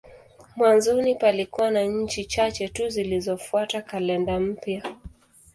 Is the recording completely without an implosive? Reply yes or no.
yes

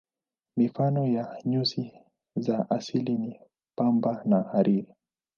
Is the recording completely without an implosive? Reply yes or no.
yes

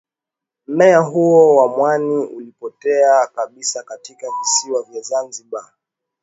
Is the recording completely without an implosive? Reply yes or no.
no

